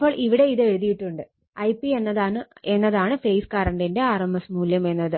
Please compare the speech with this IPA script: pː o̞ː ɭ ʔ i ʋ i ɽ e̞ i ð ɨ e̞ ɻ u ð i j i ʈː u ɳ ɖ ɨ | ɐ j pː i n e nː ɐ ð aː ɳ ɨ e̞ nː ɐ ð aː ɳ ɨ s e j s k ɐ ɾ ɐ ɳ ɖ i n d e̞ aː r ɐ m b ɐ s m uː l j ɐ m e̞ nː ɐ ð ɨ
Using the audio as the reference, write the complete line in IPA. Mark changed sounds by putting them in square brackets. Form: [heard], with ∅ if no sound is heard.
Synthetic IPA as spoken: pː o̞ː ɭ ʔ i ʋ i ɽ e̞ i ð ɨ e̞ ɻ u ð i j i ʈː u ɳ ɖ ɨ | ɐ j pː i [∅] e nː ɐ ð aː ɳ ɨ e̞ nː ɐ ð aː ɳ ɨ [f] e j s k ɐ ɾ ɐ ɳ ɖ i n d e̞ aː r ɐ m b ɐ s m uː l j ɐ m e̞ nː ɐ ð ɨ